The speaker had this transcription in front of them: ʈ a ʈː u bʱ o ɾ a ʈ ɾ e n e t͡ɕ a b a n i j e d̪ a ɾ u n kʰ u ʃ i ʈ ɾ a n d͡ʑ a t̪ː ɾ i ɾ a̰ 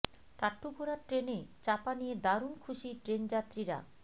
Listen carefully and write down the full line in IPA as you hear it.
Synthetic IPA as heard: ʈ a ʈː u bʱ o ɾ a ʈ ɾ e n e t͡ɕ a p a n i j e d̪ a ɾ u n kʰ u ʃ i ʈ ɾ e n d͡ʑ a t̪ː ɾ i ɾ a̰